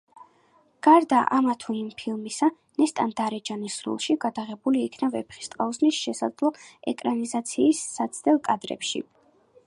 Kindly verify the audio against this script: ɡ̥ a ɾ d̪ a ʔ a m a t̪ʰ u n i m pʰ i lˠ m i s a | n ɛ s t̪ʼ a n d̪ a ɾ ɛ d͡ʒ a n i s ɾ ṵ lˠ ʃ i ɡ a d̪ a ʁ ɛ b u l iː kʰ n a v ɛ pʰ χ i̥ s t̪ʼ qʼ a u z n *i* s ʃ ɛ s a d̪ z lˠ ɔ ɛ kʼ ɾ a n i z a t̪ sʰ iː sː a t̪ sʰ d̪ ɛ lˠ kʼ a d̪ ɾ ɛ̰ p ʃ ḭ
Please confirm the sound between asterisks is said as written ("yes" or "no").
yes